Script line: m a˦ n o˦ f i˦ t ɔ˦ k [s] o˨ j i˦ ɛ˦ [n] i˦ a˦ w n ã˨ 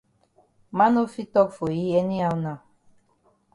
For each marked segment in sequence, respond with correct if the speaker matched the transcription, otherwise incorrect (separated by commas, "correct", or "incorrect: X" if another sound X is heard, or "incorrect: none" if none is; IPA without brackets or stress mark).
incorrect: f, correct